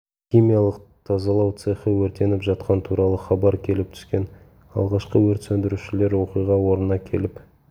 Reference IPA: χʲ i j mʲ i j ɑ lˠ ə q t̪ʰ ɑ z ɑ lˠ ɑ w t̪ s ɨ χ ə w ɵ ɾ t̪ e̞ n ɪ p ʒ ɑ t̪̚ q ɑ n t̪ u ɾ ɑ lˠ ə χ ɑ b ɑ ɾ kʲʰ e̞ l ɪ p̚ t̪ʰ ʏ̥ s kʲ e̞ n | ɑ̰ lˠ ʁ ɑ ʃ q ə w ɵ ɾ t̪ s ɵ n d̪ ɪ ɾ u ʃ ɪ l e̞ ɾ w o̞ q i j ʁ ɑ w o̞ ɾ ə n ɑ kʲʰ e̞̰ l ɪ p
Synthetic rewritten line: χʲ i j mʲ i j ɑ lˠ ə q t̪ʰ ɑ z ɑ lˠ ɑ w t̪ s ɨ χ ə w ɵ ɾ t̪ e̞ n ɪ p ʒ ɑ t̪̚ q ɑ n t̪ʰ u ɾ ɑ lˠ ə χ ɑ b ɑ ɾ kʲʰ e̞ l ɪ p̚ t̪ʰ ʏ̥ s kʲ e̞ n | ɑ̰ lˠ ʁ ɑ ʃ q ə w ɵ ɾ t̪ s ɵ n d̪ ɪ ɾ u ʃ ɪ l e̞ ɾ w o̞ q i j ʁ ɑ w o̞ ɾ ə n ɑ kʲʰ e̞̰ l ɪ p